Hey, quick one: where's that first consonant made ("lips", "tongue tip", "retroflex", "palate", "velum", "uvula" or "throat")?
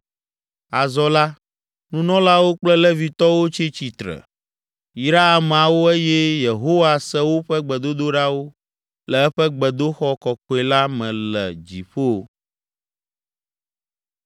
tongue tip